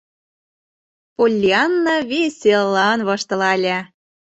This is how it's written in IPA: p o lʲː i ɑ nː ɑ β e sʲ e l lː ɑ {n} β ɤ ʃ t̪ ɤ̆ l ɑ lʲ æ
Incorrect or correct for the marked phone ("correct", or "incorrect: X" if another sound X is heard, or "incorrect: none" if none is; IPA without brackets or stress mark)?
correct